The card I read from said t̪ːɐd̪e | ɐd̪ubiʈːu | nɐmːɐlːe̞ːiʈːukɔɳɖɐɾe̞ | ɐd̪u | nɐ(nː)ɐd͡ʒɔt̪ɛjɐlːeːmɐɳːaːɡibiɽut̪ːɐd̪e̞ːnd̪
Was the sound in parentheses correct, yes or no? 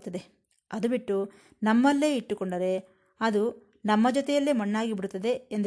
no